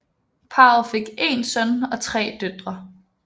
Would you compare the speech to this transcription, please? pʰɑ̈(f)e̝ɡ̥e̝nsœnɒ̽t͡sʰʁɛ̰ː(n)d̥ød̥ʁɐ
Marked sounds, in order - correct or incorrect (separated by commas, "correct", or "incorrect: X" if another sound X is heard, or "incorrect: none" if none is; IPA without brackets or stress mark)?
correct, incorrect: none